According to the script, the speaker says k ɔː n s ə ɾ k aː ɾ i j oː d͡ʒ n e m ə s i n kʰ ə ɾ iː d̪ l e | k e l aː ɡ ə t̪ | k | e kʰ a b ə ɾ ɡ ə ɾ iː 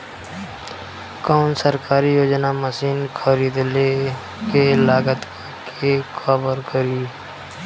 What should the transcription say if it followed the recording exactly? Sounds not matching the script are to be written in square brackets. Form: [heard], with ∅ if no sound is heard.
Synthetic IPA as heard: k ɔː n s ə ɾ k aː ɾ i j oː d͡ʒ n [a] m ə s [iː] n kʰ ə ɾ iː d̪ l e | k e l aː ɡ ə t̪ | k | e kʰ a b ə ɾ [k] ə ɾ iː

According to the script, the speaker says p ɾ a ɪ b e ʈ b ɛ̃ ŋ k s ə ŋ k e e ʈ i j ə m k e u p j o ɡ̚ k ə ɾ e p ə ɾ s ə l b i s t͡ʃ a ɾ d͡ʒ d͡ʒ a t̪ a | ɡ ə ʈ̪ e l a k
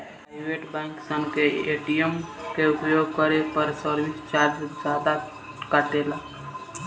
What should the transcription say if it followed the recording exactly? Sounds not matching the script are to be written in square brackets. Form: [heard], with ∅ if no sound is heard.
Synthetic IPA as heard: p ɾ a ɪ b e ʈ b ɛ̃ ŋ k s ə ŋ k e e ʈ i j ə m k e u p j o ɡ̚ k ə ɾ e p ə ɾ s ə [ɾ] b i s t͡ʃ a ɾ d͡ʒ d͡ʒ a [d̪] a | [k] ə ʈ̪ e l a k

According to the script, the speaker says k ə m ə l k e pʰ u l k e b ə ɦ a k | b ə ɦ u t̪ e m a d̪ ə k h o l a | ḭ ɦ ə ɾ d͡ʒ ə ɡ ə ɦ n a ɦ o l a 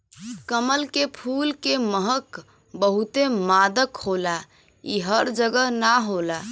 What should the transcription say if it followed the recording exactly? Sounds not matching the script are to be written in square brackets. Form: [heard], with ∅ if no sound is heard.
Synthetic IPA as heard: k ə m ə l k e pʰ u l k e [m] ə ɦ [ə] k | b ə ɦ u t̪ e m a d̪ ə k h o l a | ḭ ɦ ə ɾ d͡ʒ ə ɡ ə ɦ n a ɦ o l a

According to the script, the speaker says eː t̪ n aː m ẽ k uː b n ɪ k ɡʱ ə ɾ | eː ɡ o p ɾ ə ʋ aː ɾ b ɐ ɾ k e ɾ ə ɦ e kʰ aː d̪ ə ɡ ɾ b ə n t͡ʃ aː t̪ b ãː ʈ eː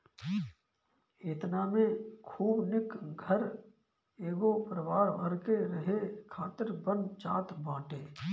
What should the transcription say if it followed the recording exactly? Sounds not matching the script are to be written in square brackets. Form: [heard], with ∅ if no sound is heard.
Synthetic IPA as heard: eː t̪ n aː m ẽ [kʰ] uː b n ɪ k ɡʱ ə ɾ | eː ɡ o p ɾ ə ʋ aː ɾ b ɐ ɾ k e ɾ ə ɦ e kʰ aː [t̪] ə [∅] ɾ b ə n t͡ʃ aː t̪ b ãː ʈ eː

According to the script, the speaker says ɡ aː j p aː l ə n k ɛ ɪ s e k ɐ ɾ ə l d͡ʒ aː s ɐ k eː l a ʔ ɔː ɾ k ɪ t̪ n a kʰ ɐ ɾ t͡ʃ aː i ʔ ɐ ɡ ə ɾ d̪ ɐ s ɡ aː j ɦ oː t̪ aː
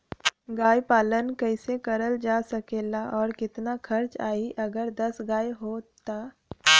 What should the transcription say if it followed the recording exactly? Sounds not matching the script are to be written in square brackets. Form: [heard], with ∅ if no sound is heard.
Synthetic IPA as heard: ɡ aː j p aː l ə n k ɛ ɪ s e k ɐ ɾ ə l d͡ʒ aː s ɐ k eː l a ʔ ɔː ɾ k ɪ t̪ n a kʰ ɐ ɾ t͡ʃ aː i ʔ ɐ ɡ ə ɾ d̪ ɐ s ɡ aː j ɦ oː t̪ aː

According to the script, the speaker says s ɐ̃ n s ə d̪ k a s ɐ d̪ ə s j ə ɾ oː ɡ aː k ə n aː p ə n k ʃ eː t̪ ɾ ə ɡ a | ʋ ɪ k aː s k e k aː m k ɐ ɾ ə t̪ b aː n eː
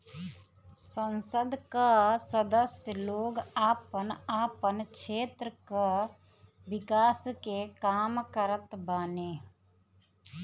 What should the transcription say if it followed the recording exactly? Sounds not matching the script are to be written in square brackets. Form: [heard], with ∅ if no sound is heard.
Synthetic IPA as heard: s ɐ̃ n s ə d̪ k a s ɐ d̪ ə s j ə [l] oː ɡ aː [p] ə n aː p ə n k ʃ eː t̪ ɾ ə [k] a | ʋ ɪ k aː s k e k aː m k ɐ ɾ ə t̪ b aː n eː

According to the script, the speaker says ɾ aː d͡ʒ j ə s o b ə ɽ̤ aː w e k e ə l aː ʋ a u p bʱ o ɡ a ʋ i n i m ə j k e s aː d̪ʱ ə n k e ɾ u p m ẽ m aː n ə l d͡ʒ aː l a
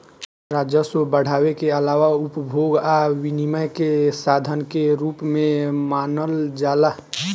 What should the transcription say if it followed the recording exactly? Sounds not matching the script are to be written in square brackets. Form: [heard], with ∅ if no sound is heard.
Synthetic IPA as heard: ɾ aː d͡ʒ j ə s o b ə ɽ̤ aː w e k e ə l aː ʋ a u p bʱ o ɡ a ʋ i n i m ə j k e s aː d̪ʱ ə n k e ɾ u p m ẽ m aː n ə l d͡ʒ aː l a

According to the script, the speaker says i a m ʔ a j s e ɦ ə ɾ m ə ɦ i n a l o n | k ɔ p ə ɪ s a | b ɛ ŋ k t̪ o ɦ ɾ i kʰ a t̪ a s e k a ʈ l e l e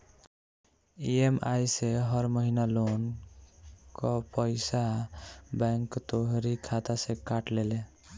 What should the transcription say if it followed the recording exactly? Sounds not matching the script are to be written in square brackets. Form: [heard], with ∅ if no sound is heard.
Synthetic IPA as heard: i [e] m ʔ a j s e ɦ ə ɾ m ə ɦ i n a l o n | k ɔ p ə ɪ s a | b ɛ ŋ k t̪ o ɦ ɾ i kʰ a t̪ a s e k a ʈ l e l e

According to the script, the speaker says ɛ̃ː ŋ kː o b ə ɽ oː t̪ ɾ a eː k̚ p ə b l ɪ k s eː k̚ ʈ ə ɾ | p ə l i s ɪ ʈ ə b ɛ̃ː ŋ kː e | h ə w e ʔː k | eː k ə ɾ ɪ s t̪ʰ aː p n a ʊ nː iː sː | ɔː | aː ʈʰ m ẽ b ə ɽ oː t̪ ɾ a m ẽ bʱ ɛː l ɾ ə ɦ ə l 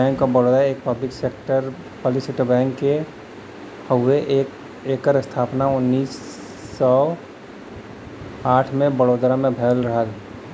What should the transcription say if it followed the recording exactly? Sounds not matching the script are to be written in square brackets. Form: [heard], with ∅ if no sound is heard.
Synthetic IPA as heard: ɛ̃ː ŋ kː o b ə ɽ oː [d̪] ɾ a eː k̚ p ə b l ɪ k s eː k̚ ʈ ə ɾ | p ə l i s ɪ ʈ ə b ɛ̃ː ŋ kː e | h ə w e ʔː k | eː k ə ɾ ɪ s t̪ʰ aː p n a ʊ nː iː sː | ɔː | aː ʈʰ m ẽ b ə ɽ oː [d̪] ɾ a m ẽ bʱ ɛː l ɾ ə ɦ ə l

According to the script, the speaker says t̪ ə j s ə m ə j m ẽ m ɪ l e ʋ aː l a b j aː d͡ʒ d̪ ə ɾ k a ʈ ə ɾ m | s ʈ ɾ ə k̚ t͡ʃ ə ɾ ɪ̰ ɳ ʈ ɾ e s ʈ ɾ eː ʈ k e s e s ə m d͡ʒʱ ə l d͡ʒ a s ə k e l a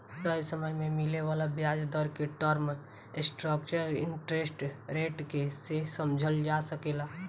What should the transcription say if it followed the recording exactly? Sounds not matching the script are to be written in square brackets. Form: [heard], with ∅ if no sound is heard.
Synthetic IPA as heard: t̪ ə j s ə m ə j m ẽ m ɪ l e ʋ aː l a b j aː d͡ʒ d̪ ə ɾ k [e] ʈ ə ɾ m | s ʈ ɾ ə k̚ t͡ʃ ə ɾ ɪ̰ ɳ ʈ ɾ e s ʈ ɾ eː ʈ k e s e s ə m d͡ʒʱ ə l d͡ʒ a s ə k e l a

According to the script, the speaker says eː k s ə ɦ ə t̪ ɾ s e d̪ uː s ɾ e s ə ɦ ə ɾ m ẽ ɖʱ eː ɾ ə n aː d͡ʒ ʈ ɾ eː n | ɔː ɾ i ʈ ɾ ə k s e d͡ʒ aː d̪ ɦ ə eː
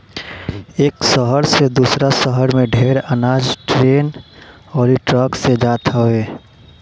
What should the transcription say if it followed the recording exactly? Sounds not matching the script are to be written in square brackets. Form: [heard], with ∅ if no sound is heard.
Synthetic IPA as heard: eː k s ə ɦ ə [∅] ɾ s e d̪ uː s ɾ [a] s ə ɦ ə ɾ m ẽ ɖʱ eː ɾ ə n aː d͡ʒ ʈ ɾ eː n | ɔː ɾ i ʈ ɾ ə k s e d͡ʒ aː [t̪] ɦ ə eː

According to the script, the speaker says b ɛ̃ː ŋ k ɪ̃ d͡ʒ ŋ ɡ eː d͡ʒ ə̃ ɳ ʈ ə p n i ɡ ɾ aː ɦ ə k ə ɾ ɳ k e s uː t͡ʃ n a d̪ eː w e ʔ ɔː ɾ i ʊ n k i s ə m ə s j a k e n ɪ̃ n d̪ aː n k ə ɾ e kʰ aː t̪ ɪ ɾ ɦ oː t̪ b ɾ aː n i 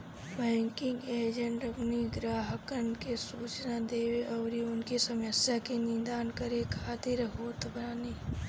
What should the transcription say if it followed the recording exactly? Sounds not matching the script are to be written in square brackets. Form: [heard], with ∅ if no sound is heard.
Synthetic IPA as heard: b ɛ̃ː ŋ k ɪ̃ [∅] ŋ ɡ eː d͡ʒ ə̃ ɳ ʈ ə p n i ɡ ɾ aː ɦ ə k ə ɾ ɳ k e s uː t͡ʃ n a d̪ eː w e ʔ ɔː ɾ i ʊ n k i s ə m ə s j a k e n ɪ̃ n d̪ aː n k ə ɾ e kʰ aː t̪ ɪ ɾ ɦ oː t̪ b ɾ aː n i

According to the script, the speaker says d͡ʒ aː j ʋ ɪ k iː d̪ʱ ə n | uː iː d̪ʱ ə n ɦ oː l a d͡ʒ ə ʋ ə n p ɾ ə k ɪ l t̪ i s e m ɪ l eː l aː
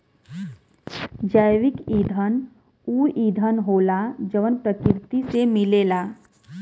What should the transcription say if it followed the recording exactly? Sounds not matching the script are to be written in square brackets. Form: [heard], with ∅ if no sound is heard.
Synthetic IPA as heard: d͡ʒ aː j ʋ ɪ k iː d̪ʱ ə n | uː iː d̪ʱ ə n ɦ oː l a d͡ʒ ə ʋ ə n p ɾ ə k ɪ [ɾ] t̪ i s e m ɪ l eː l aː

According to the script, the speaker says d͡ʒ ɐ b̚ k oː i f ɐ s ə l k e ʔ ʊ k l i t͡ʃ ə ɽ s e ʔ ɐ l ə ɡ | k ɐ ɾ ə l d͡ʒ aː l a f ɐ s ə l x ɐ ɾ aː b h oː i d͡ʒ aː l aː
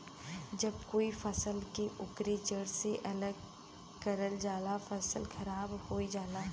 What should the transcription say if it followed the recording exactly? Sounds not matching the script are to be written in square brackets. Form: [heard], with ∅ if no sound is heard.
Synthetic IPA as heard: d͡ʒ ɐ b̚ k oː i f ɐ s ə l k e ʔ ʊ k [ɾ] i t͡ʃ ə ɽ s e ʔ ɐ l ə ɡ | k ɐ ɾ ə l d͡ʒ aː l a f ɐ s ə l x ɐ ɾ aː b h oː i d͡ʒ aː l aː

